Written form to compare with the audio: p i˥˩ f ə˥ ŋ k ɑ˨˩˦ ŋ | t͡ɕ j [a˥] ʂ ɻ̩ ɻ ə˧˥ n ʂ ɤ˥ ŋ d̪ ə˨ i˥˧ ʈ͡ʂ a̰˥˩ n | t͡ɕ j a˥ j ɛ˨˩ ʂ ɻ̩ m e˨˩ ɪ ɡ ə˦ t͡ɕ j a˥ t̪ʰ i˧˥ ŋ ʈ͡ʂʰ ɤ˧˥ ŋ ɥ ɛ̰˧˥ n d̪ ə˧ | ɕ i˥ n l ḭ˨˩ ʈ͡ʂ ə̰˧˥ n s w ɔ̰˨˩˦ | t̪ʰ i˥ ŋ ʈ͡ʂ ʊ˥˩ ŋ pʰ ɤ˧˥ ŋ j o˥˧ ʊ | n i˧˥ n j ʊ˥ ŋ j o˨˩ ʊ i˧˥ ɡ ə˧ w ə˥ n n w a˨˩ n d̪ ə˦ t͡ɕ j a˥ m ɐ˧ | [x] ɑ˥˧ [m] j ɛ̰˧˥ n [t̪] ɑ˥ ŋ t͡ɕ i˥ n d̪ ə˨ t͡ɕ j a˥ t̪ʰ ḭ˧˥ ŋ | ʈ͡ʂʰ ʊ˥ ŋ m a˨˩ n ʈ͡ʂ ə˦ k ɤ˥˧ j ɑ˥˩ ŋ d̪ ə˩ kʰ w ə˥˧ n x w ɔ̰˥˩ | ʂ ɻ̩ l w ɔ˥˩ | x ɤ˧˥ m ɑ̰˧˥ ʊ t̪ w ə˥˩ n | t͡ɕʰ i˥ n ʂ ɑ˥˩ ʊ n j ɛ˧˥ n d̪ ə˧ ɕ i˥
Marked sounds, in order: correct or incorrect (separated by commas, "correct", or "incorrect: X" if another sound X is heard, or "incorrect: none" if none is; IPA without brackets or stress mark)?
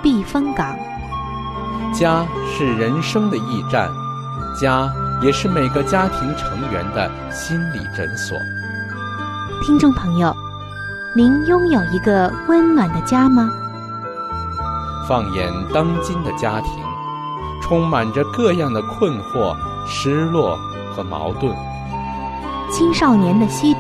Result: correct, incorrect: f, incorrect: ŋ, correct